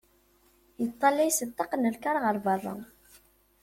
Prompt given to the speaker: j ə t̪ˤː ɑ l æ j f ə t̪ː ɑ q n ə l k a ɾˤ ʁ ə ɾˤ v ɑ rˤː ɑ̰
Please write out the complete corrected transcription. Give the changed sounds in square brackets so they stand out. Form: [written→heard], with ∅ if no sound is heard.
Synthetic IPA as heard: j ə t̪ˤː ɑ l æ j [f→s] ə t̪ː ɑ q n ə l k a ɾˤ ʁ ə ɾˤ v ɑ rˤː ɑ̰